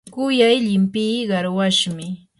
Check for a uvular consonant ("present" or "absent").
present